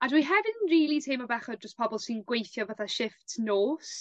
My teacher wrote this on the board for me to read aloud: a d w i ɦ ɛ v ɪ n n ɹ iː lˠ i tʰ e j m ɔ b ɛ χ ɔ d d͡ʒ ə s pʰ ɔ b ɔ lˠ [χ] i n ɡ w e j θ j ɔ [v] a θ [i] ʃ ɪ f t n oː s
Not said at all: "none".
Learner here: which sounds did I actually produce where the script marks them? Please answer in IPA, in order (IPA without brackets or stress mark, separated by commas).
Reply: s, v, a